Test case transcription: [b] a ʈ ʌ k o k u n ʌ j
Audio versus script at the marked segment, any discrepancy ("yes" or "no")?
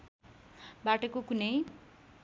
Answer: no